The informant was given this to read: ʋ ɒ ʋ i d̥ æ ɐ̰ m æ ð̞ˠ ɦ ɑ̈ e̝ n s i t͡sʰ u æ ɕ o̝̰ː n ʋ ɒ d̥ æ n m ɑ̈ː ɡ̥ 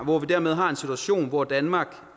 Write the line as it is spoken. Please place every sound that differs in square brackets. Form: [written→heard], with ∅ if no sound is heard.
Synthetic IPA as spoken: ʋ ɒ ʋ i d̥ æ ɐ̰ m [æ→e] ð̞ˠ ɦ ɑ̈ e̝ n s i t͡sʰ u æ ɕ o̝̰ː n ʋ ɒ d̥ æ n m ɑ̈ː ɡ̥